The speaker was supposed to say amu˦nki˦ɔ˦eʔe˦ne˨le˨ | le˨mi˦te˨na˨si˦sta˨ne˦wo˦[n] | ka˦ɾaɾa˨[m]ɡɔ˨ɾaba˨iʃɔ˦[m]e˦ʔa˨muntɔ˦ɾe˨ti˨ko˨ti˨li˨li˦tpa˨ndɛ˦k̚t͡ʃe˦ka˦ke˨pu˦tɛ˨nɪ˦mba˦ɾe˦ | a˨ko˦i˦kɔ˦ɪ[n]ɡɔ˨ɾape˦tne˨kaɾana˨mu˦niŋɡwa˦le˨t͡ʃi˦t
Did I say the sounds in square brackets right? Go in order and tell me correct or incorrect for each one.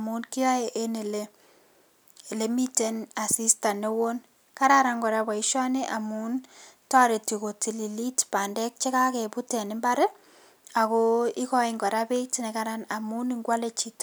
correct, incorrect: ŋ, incorrect: n, incorrect: ŋ

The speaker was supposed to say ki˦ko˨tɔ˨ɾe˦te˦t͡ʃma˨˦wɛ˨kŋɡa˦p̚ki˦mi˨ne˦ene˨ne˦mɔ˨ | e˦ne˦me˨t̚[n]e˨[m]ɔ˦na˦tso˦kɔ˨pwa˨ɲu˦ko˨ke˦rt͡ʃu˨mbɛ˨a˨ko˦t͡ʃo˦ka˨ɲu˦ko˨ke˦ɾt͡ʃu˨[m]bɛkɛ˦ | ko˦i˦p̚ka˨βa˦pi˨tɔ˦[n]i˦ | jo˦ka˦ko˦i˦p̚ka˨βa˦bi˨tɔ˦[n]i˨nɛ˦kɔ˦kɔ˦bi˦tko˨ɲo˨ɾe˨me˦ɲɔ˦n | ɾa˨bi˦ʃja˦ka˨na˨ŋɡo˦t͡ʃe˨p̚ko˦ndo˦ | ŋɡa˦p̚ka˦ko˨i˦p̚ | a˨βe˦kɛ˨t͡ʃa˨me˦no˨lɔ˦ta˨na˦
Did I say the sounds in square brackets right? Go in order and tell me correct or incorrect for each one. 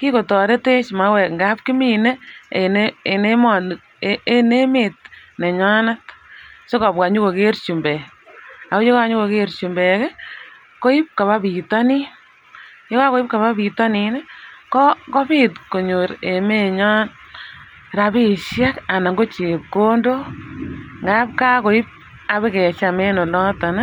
correct, incorrect: ɲ, correct, correct, correct

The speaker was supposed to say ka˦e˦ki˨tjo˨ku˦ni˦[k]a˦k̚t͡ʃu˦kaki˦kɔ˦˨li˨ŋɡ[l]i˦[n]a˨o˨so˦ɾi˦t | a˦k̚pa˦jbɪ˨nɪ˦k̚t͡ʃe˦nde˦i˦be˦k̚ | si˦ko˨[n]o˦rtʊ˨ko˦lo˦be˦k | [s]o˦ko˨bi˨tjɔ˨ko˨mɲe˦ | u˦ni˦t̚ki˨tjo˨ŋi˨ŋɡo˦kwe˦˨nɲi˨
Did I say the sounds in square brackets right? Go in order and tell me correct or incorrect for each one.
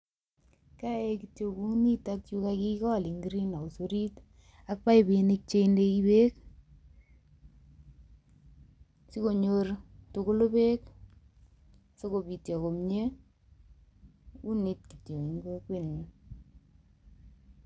incorrect: t, incorrect: ɾ, correct, incorrect: ɲ, correct

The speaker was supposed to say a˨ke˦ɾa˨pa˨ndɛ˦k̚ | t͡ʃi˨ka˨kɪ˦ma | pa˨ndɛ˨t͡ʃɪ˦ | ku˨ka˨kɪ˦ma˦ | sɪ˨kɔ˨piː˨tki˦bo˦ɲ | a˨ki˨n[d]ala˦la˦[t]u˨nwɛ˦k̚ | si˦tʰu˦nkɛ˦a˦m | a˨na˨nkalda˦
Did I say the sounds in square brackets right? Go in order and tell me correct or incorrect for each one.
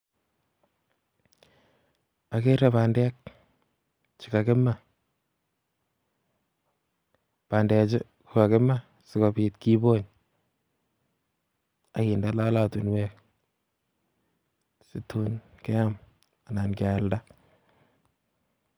correct, correct

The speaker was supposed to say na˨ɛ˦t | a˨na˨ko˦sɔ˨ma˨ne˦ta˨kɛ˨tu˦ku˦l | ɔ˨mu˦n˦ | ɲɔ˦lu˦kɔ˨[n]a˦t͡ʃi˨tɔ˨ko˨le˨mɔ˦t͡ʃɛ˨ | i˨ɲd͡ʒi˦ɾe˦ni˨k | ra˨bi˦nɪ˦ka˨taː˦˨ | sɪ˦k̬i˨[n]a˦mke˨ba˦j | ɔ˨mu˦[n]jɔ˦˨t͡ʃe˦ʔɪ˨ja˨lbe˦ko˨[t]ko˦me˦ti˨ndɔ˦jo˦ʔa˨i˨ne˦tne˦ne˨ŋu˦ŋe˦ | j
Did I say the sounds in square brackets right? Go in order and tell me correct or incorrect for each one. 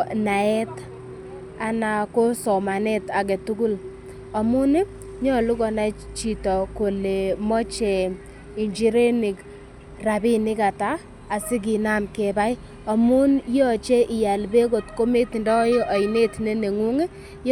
correct, correct, correct, correct

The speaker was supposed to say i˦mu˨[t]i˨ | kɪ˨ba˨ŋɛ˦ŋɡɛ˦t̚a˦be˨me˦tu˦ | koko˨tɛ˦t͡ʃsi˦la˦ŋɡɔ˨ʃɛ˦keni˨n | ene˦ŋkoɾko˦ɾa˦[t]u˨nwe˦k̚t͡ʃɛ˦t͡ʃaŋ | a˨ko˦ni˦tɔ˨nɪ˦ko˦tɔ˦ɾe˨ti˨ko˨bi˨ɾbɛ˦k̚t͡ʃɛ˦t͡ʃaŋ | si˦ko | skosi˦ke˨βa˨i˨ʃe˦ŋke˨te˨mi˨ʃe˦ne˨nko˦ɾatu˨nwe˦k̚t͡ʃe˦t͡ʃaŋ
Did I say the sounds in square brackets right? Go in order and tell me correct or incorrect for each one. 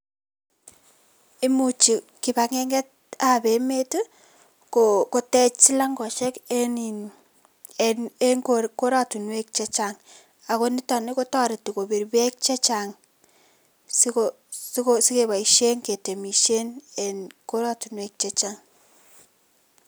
incorrect: t͡ʃ, correct

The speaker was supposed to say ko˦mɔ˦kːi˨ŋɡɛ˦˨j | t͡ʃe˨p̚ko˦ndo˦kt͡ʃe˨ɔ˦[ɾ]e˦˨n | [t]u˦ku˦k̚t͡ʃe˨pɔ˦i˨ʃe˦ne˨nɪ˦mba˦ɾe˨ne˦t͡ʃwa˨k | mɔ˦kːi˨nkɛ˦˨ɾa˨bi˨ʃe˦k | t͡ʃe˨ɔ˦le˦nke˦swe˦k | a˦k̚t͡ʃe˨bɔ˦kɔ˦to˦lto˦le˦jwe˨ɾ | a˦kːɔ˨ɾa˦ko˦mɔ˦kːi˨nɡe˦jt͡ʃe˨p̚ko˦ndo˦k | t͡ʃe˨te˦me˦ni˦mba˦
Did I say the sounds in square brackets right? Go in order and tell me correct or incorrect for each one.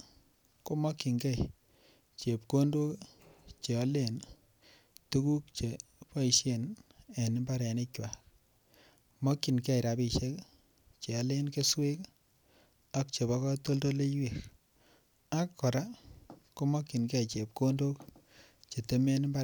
incorrect: l, correct

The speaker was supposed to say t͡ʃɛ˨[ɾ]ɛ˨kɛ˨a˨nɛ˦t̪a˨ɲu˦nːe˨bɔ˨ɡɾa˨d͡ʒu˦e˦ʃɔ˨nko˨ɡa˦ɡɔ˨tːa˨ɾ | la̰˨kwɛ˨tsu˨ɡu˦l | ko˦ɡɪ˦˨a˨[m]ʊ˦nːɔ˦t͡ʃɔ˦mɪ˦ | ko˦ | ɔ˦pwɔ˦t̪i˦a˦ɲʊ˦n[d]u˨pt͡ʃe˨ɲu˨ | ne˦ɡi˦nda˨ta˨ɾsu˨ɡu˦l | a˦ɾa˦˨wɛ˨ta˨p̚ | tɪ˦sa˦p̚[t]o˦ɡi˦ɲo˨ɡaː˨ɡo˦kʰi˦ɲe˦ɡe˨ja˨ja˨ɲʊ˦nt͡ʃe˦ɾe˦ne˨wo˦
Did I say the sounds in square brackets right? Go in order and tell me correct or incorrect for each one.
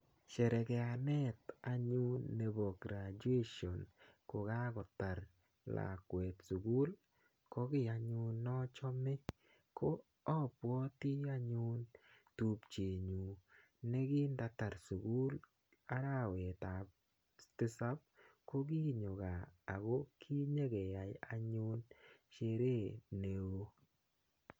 correct, incorrect: ɲ, incorrect: t, incorrect: k

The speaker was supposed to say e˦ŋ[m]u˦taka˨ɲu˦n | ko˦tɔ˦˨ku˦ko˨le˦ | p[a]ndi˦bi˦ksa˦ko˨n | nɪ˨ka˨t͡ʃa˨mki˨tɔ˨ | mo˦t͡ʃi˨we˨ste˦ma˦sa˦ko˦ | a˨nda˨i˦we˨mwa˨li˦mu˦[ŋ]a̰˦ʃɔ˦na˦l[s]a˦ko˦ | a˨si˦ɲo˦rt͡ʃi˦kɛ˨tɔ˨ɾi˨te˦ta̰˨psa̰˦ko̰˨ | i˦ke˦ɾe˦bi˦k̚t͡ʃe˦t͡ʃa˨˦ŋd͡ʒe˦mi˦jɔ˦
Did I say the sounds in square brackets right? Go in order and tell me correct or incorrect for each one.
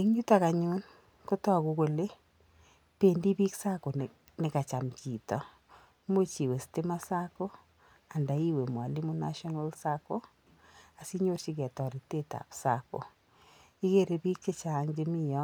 incorrect: ɲ, incorrect: e, incorrect: n, correct

